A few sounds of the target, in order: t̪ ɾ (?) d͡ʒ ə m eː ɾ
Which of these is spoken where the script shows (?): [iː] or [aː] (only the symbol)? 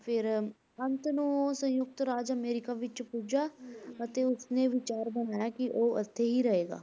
aː